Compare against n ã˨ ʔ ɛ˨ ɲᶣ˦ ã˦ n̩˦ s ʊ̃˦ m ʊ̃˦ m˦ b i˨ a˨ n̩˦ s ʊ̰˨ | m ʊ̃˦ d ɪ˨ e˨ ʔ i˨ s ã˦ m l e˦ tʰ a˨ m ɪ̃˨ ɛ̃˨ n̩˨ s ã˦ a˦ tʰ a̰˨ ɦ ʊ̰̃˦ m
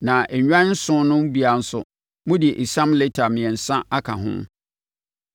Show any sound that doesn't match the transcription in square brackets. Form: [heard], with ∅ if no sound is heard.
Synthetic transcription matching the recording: n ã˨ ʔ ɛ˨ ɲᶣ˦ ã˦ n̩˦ s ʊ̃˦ [n] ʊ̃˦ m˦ b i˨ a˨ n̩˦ s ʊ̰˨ | m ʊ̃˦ d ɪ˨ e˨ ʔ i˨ s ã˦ m l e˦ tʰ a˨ m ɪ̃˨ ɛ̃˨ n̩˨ s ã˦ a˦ [kʰ] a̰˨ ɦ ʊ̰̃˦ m